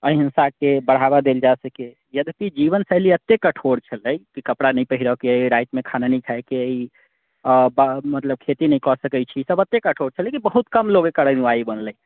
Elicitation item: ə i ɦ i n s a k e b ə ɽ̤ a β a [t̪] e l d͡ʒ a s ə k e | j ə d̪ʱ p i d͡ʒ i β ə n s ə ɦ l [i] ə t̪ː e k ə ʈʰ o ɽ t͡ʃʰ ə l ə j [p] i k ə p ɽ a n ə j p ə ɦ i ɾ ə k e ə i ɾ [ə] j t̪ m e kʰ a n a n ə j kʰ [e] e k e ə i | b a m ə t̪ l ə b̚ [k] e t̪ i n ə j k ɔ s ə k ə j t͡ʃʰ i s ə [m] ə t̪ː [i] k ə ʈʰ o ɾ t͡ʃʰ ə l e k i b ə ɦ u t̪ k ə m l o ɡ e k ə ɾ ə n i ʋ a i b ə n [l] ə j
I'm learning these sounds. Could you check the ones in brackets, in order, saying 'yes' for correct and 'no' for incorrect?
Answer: no, yes, no, no, no, no, no, no, yes

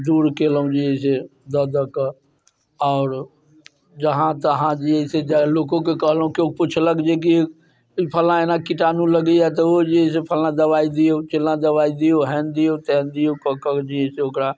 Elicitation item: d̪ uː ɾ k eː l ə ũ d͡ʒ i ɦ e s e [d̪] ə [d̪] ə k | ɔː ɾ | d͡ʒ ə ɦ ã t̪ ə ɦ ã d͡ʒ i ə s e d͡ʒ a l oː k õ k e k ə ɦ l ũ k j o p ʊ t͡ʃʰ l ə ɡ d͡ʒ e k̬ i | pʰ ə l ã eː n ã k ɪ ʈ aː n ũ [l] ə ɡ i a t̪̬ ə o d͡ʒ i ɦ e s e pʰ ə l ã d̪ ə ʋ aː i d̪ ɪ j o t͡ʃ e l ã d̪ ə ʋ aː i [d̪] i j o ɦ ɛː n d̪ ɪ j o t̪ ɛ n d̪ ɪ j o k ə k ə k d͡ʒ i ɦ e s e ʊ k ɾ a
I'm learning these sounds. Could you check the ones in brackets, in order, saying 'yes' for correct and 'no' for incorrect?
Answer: yes, yes, yes, yes

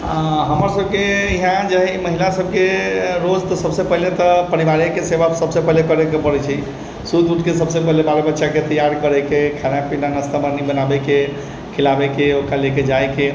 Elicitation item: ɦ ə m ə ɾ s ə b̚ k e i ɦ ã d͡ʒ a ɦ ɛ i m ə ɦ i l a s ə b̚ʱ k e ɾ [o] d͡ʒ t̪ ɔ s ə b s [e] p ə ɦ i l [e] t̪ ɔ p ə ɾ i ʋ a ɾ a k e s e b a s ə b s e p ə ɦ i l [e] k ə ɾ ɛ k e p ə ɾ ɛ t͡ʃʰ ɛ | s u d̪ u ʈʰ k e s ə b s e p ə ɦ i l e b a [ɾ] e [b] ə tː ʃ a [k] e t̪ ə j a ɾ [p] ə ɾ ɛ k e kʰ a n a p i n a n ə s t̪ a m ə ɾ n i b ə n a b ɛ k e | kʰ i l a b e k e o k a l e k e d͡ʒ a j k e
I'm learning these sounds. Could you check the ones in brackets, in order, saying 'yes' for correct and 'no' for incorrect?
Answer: yes, yes, yes, yes, yes, yes, yes, no

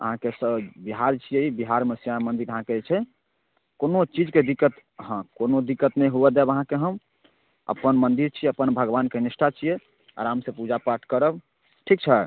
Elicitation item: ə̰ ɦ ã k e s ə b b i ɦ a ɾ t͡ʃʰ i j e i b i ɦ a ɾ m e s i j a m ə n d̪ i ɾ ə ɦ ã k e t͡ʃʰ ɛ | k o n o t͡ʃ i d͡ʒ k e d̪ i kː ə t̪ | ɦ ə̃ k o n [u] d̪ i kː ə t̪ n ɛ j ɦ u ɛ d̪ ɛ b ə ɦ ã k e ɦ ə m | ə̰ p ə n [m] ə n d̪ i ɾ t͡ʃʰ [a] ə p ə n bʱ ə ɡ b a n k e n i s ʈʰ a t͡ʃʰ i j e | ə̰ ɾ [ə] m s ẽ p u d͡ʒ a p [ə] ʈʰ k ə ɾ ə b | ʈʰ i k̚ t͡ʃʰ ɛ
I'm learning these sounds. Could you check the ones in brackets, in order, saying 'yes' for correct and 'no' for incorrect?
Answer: no, yes, no, no, no

